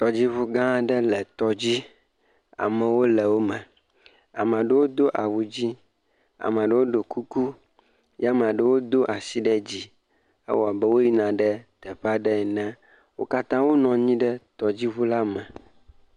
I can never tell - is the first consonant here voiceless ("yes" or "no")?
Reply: yes